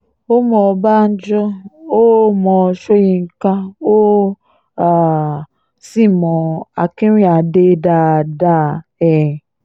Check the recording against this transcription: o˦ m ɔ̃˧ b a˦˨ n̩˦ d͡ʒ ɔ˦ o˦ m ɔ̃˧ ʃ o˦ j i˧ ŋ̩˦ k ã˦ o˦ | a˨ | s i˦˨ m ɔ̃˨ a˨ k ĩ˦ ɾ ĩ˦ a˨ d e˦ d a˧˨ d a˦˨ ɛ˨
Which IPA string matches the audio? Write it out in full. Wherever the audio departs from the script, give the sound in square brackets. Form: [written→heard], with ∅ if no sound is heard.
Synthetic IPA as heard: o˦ m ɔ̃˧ b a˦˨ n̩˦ d͡ʒ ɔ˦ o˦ m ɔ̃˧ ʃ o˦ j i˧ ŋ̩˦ k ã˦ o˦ | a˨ | s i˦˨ m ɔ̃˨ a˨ k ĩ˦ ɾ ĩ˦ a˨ d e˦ d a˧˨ d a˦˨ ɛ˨